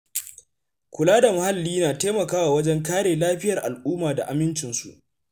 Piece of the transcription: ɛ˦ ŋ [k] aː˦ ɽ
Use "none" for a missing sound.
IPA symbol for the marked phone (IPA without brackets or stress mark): k